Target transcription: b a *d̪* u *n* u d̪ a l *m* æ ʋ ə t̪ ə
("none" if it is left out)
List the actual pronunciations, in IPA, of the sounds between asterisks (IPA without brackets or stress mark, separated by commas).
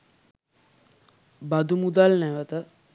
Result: d̪, m, n